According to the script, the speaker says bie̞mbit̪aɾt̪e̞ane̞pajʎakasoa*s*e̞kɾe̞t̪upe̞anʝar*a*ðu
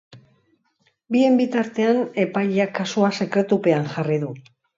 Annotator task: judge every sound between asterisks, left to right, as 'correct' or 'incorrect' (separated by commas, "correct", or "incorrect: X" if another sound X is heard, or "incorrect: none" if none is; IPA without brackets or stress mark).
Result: correct, incorrect: i